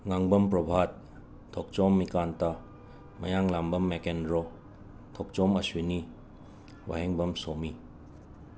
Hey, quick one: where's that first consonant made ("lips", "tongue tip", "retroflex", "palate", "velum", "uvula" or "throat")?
velum